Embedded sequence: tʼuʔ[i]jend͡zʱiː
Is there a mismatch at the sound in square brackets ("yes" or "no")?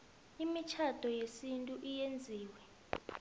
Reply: no